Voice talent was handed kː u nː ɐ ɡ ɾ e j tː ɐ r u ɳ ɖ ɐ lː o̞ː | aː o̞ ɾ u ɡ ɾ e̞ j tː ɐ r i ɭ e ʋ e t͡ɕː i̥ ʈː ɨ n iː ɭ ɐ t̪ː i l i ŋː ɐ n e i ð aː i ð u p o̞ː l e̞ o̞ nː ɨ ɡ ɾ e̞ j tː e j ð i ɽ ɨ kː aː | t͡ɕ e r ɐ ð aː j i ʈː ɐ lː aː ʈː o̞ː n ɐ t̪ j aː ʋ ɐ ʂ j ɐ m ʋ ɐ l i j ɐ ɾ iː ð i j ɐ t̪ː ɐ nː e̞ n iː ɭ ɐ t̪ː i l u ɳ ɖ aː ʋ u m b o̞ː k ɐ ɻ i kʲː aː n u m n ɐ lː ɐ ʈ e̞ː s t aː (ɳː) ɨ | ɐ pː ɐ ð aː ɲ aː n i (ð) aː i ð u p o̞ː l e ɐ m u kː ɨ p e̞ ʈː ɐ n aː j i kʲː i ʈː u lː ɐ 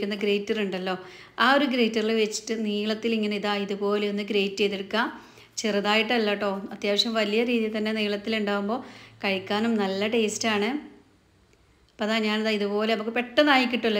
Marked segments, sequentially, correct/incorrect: incorrect: ɳ, correct

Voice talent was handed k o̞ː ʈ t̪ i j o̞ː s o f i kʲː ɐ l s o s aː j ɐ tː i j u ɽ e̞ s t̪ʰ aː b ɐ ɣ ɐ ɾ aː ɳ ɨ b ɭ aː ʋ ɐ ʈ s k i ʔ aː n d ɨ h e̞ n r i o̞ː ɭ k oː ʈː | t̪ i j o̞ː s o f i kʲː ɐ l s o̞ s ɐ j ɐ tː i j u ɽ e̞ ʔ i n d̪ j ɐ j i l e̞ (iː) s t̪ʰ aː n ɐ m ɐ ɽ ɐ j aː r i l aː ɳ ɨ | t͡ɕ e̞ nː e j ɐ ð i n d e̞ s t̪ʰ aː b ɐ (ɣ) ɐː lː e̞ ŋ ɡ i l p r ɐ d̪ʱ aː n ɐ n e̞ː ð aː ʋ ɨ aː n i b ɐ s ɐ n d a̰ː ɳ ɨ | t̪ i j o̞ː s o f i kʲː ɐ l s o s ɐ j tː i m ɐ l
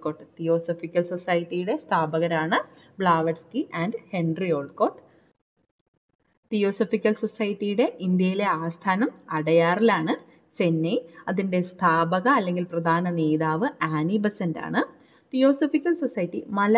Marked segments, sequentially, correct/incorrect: incorrect: aː, correct

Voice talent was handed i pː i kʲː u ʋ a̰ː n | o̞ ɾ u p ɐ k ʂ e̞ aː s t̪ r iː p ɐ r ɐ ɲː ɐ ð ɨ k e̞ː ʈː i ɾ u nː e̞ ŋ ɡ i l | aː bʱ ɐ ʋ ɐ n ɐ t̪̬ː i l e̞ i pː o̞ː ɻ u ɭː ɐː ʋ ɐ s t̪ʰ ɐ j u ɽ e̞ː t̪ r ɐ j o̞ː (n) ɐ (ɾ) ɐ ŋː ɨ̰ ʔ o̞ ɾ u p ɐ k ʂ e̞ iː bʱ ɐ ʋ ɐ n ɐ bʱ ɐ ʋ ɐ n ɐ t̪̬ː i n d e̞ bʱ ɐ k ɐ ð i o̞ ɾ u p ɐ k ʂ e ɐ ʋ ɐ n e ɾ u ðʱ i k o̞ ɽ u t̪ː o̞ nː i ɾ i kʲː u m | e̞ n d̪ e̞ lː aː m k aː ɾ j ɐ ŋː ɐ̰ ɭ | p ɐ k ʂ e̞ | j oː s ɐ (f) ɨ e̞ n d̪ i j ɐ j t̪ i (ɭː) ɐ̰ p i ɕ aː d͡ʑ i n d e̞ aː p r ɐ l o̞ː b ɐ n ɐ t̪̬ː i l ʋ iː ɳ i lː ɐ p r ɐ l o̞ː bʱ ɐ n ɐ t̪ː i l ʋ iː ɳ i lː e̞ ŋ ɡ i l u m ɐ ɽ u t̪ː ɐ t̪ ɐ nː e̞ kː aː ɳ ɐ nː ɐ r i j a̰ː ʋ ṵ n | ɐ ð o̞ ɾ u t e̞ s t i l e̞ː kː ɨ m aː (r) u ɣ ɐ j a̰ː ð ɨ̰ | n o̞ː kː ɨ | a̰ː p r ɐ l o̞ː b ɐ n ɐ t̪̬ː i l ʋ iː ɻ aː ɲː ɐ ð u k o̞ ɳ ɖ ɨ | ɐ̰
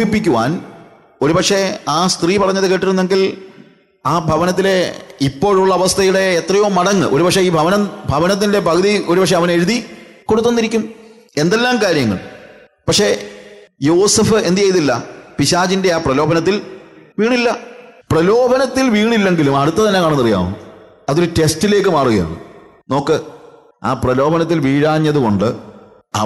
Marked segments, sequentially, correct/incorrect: incorrect: m, incorrect: ɽ, correct, incorrect: lː, correct

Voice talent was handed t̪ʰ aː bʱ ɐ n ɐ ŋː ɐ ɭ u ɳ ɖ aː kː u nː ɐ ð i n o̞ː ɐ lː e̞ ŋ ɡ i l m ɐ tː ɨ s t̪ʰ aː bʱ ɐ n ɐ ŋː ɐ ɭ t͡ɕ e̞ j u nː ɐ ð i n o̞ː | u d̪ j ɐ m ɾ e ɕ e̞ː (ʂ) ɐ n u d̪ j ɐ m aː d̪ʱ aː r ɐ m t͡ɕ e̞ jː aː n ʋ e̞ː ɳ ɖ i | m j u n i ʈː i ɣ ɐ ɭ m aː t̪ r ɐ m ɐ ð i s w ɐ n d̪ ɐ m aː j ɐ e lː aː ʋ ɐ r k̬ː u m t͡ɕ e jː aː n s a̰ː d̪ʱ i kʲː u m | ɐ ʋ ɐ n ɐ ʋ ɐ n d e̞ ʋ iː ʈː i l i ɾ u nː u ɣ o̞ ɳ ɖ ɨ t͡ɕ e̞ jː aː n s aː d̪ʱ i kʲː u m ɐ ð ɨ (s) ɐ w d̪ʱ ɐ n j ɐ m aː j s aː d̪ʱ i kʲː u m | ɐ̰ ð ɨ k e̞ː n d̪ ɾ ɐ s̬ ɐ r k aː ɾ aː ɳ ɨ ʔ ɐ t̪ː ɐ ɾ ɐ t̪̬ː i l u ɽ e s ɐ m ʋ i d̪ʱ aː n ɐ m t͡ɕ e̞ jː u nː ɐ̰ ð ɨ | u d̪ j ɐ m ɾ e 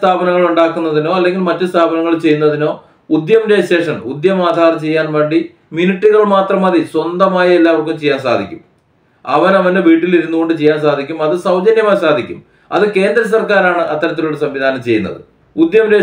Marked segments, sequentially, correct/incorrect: correct, correct

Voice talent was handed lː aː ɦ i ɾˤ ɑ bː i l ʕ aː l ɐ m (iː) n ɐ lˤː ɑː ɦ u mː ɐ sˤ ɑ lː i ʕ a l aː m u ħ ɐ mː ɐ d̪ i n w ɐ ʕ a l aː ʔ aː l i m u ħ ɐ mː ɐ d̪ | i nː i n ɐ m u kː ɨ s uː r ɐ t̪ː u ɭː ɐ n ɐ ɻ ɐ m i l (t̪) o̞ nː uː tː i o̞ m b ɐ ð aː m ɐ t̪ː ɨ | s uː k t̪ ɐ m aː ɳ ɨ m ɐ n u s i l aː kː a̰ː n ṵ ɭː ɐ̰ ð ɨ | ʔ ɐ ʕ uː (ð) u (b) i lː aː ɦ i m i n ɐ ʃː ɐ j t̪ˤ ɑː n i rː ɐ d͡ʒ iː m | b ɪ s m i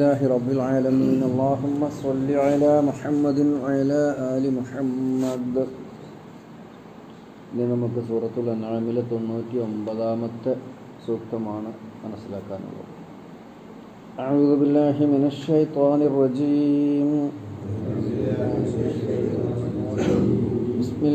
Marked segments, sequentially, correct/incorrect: correct, correct, correct, correct

